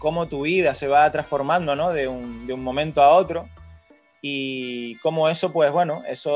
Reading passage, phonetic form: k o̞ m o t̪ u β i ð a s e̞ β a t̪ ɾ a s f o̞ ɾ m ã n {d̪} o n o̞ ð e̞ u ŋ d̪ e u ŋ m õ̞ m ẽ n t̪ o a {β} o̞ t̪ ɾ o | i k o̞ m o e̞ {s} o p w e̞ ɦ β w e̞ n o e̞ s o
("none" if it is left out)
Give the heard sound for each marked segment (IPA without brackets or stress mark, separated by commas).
d̪, none, s